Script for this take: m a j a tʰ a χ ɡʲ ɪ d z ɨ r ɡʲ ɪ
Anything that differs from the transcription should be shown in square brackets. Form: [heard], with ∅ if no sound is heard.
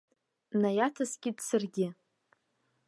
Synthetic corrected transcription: [n] a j a tʰ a [s] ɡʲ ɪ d [s] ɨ r ɡʲ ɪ